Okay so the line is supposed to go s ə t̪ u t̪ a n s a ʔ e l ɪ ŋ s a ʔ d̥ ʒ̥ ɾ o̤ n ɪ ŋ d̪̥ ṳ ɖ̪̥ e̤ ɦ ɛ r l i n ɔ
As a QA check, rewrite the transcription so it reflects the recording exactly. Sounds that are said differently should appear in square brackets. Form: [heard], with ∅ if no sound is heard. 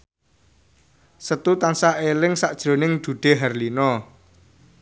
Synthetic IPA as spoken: s ə t̪ u t̪ a n s a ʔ e l ɪ ŋ s a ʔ d̥ ʒ̥ ɾ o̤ n ɪ ŋ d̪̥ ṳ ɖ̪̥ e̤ ɦ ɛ r l i n ɔ